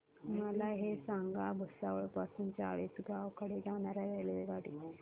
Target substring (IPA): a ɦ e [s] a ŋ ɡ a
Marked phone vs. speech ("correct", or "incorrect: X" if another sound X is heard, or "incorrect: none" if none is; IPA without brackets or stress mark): correct